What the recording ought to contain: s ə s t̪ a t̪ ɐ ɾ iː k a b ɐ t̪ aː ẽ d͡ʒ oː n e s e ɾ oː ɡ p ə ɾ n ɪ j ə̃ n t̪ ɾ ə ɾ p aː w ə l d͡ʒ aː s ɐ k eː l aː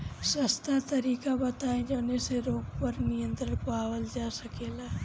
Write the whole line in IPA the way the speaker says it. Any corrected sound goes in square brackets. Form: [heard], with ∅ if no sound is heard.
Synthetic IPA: s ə s t̪ a t̪ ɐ ɾ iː k a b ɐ t̪ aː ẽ d͡ʒ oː n e s e ɾ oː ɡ p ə ɾ n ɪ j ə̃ n t̪ ɾ ə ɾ p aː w ə l d͡ʒ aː s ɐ k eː l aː

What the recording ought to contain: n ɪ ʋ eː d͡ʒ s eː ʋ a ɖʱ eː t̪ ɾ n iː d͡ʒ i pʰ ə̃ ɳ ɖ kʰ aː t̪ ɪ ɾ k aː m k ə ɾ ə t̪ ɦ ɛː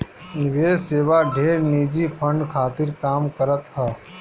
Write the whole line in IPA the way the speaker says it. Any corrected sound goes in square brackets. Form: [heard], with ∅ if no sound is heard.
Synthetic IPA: n ɪ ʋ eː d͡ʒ s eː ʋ a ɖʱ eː [∅] ɾ n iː d͡ʒ i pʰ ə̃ ɳ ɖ kʰ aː t̪ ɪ ɾ k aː m k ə ɾ ə t̪ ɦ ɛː

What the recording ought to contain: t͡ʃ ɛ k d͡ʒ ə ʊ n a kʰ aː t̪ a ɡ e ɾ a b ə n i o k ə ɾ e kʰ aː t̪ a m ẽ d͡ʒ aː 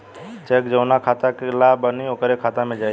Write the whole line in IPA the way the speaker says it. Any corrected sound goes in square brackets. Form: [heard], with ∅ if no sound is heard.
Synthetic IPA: t͡ʃ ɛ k d͡ʒ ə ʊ n a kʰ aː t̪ a [k] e [l] a b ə n i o k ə ɾ e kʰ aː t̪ a m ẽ d͡ʒ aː

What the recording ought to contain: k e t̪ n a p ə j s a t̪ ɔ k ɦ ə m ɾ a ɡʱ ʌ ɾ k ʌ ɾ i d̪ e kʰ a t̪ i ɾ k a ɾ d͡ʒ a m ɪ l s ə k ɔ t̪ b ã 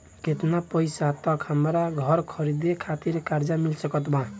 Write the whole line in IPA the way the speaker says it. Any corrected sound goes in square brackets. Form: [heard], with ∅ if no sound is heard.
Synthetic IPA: k e t̪ n a p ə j s a t̪ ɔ k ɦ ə m ɾ a ɡʱ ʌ ɾ [kʰ] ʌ ɾ i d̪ e kʰ a t̪ i ɾ k a ɾ d͡ʒ a m [i] l s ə k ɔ t̪ b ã

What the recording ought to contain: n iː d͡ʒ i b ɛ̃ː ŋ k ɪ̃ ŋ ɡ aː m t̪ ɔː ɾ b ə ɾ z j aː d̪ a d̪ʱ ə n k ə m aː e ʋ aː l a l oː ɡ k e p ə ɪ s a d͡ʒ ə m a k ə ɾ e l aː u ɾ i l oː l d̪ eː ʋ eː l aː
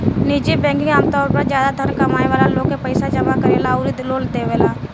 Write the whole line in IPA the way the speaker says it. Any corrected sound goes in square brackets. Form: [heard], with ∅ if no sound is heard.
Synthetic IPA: n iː d͡ʒ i b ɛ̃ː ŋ k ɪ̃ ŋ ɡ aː m t̪ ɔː ɾ [p] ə ɾ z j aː d̪ a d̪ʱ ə n k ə m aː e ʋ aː l a l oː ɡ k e p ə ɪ s a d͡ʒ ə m a k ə ɾ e l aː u ɾ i l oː l d̪ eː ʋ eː l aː

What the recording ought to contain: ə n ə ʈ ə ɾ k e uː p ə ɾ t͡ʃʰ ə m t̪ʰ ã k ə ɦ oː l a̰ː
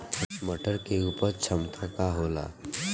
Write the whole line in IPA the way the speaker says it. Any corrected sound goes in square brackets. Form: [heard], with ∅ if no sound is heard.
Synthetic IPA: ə [m] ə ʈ ə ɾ k e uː p ə ɾ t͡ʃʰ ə m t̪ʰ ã k [a] ɦ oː l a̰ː

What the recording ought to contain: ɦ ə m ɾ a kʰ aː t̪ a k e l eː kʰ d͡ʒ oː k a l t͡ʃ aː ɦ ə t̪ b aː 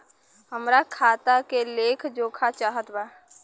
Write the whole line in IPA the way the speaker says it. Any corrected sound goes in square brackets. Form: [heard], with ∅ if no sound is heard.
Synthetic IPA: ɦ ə m ɾ a kʰ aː t̪ a k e l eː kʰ d͡ʒ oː [kʰ] a [∅] t͡ʃ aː ɦ ə t̪ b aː

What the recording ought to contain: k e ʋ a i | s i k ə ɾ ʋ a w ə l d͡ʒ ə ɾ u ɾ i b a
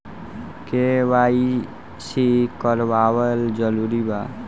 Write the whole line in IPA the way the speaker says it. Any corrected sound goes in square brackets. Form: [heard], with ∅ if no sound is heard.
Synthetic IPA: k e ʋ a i | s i k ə ɾ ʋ a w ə l d͡ʒ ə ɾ u ɾ i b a

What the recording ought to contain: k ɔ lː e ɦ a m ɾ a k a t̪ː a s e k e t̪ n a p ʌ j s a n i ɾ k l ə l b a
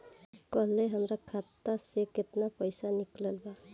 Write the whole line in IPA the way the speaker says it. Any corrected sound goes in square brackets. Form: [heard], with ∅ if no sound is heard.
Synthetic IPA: k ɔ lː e ɦ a m ɾ a [kʰ] a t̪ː a s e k e t̪ n a p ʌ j s a n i [∅] k l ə l b a

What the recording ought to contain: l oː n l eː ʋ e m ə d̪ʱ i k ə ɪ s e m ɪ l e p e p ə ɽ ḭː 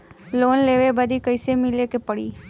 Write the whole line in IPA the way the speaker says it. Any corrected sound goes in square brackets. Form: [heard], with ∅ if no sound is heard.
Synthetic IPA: l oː n l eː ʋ e [b] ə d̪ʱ i k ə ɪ s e m ɪ l e [k] e p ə ɽ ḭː

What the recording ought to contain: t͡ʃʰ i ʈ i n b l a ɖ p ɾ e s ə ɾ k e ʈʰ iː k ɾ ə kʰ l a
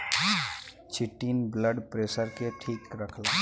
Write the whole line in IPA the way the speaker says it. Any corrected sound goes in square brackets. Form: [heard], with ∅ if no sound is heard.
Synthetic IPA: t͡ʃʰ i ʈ i n b l [ə] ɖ p ɾ e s ə ɾ k e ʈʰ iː k ɾ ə kʰ l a

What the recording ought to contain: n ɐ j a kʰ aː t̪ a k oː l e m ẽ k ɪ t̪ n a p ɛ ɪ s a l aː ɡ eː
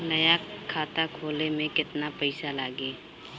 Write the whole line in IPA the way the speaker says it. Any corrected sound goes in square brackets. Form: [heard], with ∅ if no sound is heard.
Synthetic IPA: n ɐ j a kʰ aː t̪ a [kʰ] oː l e m ẽ k ɪ t̪ n a p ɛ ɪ s a l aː ɡ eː

